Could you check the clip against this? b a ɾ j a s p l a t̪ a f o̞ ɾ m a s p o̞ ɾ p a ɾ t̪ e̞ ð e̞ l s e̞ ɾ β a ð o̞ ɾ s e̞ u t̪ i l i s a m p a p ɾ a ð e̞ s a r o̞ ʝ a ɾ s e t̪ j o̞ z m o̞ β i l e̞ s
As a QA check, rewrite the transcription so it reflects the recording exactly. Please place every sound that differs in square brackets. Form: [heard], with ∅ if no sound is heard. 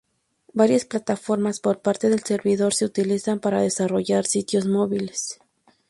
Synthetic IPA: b a ɾ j a s p l a t̪ a f o̞ ɾ m a s p o̞ ɾ p a ɾ t̪ e̞ ð e̞ l s e̞ ɾ β [i] ð o̞ ɾ s e̞ u t̪ i l i s a m p a [∅] ɾ a ð e̞ s a r o̞ ʝ a ɾ s [i] t̪ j o̞ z m o̞ β i l e̞ s